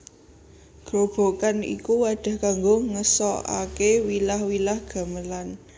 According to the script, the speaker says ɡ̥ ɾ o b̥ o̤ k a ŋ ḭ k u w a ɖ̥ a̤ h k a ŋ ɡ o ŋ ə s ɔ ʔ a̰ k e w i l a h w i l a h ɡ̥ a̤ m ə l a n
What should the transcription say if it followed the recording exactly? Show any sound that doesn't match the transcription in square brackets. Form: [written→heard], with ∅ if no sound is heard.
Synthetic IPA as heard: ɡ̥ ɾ o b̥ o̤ k a [ŋ→n] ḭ k u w a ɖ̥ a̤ h k a ŋ ɡ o ŋ ə s ɔ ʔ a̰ k e w i l a h w i l a h ɡ̥ a̤ m ə l a n